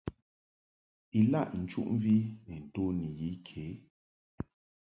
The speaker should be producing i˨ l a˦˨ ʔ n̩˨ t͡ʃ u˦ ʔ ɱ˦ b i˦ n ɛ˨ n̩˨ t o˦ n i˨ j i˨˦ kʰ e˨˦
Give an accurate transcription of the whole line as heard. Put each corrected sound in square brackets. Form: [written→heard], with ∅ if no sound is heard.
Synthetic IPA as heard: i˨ l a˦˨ ʔ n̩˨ t͡ʃ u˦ ʔ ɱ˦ [b→v] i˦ n ɛ˨ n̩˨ t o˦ n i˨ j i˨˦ kʰ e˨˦